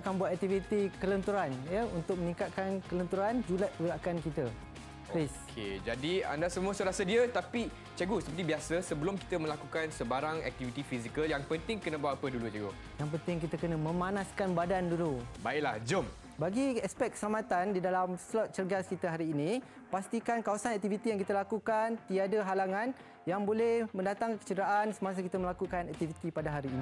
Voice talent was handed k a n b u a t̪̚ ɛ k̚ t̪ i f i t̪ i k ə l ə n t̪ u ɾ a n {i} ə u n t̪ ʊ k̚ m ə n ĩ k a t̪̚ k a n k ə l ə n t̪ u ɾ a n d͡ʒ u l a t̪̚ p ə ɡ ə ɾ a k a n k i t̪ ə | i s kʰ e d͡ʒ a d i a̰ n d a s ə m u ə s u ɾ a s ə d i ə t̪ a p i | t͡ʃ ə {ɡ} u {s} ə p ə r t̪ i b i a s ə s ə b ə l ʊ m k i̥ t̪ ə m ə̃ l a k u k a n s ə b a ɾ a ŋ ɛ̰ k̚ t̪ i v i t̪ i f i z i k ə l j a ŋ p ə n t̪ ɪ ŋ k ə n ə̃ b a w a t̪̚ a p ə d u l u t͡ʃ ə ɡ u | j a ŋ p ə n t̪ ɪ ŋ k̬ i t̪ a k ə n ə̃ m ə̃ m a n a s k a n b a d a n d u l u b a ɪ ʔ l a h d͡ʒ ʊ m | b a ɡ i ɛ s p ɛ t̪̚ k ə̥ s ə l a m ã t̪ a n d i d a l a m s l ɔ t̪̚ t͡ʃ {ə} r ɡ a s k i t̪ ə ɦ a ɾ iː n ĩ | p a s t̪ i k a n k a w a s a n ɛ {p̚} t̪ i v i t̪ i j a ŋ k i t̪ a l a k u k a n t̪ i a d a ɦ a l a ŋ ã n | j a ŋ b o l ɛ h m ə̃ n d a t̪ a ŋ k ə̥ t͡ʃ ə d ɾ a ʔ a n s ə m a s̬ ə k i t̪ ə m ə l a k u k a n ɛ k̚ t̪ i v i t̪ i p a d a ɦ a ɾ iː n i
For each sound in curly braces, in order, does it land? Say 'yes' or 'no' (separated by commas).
no, yes, yes, yes, no